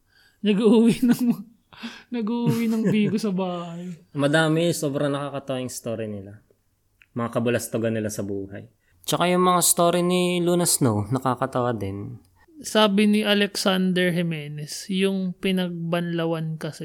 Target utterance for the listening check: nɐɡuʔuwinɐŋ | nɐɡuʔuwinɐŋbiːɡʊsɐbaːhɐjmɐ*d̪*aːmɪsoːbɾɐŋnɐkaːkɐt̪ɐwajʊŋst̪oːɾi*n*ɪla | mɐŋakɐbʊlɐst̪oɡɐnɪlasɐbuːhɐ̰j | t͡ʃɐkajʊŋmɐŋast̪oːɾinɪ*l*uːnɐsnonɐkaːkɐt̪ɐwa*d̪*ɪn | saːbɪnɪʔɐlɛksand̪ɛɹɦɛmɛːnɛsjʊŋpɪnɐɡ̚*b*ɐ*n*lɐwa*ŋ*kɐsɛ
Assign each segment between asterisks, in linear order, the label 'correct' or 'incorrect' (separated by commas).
correct, correct, correct, correct, correct, correct, incorrect